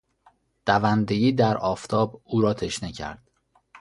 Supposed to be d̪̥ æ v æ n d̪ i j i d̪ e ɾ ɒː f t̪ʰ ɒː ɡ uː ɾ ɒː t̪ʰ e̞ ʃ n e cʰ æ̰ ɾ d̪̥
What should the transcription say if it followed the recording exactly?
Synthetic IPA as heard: d̪̥ æ v æ n d̪ e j iː d̪ æ ɾ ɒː f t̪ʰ ɒː b uː ɾ ɒː t̪ʰ e̞ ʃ n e cʰ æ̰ ɾ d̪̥